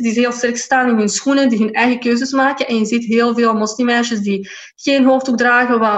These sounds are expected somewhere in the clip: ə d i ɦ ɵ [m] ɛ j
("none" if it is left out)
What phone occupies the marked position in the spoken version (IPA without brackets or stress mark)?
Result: n